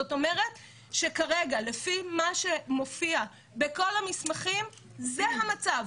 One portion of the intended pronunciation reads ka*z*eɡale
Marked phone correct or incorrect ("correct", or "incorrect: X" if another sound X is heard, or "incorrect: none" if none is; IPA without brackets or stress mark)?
incorrect: ʁ